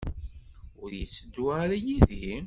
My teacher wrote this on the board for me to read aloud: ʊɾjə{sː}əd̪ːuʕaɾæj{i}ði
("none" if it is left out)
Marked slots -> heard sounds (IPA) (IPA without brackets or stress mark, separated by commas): t͡sː, i